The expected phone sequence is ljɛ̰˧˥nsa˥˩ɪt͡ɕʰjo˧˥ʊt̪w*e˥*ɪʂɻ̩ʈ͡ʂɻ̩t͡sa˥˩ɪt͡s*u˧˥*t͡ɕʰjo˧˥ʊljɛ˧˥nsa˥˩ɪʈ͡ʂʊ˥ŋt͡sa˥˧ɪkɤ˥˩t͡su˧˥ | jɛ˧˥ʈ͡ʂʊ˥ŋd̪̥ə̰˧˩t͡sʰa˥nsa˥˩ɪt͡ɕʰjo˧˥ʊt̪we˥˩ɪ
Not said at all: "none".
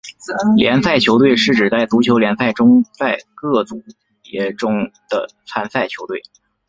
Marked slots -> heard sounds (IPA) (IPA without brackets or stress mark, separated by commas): e˥˧, u˧˥